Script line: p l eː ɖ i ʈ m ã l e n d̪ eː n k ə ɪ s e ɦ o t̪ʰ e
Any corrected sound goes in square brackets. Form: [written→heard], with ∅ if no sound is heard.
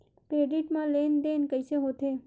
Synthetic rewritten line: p [l→ɾ] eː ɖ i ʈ m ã l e n d̪ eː n k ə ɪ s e ɦ o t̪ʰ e